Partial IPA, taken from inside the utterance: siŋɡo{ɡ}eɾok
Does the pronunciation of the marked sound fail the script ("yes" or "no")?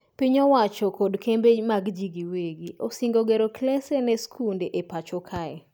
no